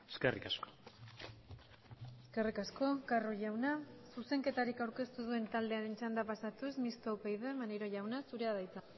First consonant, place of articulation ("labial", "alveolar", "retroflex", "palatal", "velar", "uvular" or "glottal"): alveolar